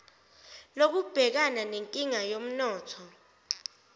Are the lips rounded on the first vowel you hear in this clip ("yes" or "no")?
yes